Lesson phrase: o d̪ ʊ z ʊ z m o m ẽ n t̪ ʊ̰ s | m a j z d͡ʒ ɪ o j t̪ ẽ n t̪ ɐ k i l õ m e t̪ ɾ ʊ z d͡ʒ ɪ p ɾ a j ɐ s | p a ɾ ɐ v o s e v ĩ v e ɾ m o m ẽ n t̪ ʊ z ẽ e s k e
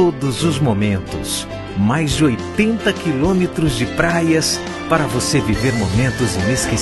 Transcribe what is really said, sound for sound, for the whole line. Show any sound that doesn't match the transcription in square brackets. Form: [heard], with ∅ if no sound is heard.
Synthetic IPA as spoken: o d̪ ʊ z ʊ z m o m ẽ n t̪ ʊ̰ s | m a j z d͡ʒ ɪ o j t̪ ẽ n t̪ ɐ k i l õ m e t̪ ɾ ʊ z d͡ʒ ɪ p ɾ a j ɐ s | p a ɾ ɐ v o s e v [i] v e ɾ m o m ẽ n t̪ ʊ z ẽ e s k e